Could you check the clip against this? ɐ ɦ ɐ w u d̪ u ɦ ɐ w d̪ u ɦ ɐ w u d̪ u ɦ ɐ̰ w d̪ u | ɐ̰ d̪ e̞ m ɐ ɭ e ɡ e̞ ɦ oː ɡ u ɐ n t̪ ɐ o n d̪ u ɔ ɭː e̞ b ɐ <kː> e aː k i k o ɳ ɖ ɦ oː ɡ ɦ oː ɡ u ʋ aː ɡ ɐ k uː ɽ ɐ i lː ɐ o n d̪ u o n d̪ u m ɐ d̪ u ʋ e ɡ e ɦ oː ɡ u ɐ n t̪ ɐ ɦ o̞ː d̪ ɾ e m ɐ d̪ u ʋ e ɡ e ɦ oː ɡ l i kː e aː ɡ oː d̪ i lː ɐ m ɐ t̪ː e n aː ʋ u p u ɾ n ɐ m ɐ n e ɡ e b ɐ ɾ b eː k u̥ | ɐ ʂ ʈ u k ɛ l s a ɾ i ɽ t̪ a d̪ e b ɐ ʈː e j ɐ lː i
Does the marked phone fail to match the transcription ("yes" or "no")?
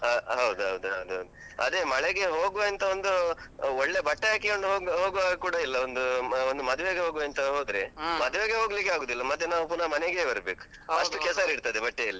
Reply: yes